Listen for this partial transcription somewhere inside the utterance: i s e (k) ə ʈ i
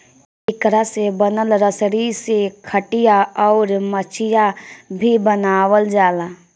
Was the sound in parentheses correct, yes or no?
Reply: no